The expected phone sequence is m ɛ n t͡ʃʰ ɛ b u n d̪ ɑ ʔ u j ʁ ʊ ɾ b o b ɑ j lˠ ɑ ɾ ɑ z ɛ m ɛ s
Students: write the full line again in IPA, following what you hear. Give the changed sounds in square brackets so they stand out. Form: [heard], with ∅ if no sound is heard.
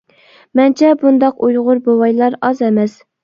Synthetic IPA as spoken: m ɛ n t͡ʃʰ ɛ b u n d̪ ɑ [q] u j ʁ ʊ ɾ b o [w] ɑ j lˠ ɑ ɾ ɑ z ɛ m ɛ s